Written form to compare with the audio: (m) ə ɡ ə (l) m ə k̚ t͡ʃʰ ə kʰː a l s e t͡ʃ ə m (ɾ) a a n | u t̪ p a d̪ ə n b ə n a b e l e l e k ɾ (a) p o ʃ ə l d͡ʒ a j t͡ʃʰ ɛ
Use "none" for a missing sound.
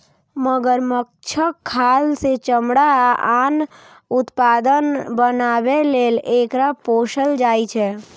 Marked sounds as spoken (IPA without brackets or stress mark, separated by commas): m, ɾ, ɽ, a